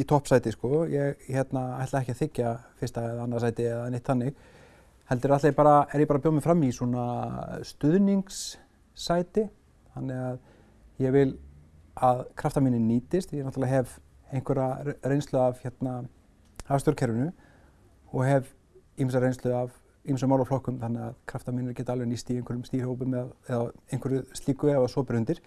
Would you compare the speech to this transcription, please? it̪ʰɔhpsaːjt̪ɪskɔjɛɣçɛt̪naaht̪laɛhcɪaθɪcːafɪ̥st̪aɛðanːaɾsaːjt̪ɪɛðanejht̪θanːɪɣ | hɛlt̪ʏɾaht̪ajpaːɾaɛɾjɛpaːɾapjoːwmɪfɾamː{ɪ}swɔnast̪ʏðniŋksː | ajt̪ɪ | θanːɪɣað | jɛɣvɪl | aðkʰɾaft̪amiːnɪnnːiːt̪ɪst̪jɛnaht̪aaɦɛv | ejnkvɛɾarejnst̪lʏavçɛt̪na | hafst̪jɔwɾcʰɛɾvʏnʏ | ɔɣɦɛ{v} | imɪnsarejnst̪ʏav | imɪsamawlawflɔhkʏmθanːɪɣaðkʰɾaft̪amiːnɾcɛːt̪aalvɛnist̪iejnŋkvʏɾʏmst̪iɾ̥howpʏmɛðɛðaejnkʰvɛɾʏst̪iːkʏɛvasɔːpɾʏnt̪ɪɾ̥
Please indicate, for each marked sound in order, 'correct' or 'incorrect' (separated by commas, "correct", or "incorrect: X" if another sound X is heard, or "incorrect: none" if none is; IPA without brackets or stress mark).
incorrect: i, correct